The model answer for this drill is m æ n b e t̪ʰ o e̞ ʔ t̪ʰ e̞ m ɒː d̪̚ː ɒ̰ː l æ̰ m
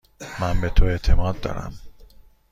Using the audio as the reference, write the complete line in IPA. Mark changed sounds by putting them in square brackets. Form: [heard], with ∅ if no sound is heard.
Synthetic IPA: m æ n b e t̪ʰ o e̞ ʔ t̪ʰ e̞ m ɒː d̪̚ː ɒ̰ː [ɾ] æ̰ m